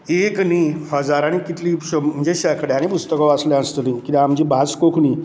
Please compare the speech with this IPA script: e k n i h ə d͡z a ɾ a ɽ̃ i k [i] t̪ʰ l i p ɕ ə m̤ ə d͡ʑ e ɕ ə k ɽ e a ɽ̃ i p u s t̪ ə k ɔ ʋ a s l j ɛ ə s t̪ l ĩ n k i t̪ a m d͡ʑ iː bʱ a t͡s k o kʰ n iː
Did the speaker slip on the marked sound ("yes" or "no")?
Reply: no